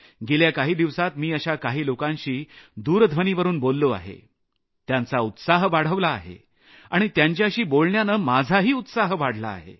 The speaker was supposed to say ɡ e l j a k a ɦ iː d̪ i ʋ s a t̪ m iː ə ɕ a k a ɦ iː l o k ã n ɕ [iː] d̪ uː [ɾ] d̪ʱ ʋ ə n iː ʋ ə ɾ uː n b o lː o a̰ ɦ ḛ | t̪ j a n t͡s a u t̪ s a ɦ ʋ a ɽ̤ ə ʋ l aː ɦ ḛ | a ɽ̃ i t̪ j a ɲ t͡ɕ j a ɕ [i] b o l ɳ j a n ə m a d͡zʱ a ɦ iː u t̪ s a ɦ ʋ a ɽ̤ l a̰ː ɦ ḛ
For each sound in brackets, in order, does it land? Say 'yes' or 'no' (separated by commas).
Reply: yes, yes, no